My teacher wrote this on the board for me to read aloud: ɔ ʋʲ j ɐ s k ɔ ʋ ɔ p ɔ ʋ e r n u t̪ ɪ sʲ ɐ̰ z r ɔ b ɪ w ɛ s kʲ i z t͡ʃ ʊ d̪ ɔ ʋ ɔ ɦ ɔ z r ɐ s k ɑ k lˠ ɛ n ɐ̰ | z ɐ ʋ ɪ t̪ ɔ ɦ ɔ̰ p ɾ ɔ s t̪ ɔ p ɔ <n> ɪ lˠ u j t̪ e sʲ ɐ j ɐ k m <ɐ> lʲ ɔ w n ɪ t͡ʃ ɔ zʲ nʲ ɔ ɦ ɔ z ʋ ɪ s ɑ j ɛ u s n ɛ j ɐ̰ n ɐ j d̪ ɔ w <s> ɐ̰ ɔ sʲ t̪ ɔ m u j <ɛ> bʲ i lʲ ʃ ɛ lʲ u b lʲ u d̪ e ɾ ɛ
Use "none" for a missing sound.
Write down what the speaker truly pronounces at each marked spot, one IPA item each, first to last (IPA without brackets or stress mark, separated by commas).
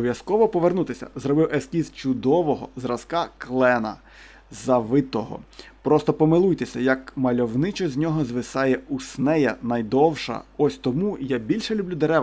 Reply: m, ɐ, ʃ, a